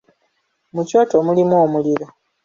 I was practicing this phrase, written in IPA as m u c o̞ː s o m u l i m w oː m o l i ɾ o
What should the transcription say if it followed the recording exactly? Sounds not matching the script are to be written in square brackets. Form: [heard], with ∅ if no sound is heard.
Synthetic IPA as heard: m u c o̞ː [t] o m u l i m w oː m [u] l i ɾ o